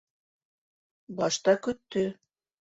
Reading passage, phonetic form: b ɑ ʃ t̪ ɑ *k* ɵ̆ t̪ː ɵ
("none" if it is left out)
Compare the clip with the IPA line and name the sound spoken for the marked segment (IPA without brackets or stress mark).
k